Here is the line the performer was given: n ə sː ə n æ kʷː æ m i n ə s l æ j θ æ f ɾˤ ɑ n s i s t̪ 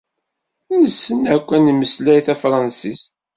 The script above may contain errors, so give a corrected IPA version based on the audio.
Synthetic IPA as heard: n ə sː ə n æ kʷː æ n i m ə s l æ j θ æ f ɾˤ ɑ n s i s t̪

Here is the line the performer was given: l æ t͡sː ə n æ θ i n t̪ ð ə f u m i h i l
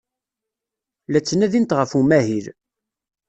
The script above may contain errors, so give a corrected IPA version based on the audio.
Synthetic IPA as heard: l æ t͡sː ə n æ ð i n t̪ ʁ ə f u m æ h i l

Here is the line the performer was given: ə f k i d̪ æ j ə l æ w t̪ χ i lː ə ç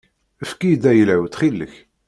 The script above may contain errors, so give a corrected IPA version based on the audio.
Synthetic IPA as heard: ə f k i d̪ æ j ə l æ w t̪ χ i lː ə ç

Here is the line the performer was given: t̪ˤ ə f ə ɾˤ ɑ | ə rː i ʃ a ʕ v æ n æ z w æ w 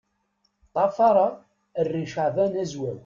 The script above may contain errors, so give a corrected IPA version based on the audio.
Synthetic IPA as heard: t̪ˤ ɑ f ɑ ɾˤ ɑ | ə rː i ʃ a ʕ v æ n æ z w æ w

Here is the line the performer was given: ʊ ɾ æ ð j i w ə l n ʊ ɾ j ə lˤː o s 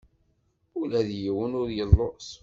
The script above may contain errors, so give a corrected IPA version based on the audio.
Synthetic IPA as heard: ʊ l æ ð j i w ə n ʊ ɾ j ə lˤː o s

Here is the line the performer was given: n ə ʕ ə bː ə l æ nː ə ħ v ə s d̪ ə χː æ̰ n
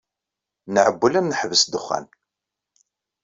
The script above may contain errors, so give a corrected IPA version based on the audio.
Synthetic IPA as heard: n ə ʕ ə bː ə l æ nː ə ħ v ə s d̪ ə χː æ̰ n

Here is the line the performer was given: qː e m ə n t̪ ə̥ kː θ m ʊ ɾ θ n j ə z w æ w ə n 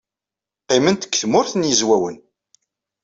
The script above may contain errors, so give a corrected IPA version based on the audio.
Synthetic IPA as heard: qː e m ə n t̪ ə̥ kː θ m ʊ ɾ θ n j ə z w æ w ə n

